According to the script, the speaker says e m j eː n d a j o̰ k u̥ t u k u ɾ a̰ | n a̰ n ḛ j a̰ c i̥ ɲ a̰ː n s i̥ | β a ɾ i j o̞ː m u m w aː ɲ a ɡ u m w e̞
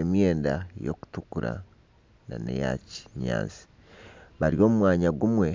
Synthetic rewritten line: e m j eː n d a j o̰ k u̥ t u k u ɾ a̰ | n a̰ n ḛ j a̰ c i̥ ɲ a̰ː n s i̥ | β a ɾ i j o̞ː m u m w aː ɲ a ɡ u m w e̞